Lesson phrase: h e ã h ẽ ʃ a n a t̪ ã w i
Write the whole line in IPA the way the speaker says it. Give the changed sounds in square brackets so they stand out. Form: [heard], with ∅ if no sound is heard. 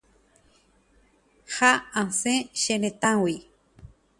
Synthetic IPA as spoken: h [a] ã [s] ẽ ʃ [e] n [e] t̪ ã w i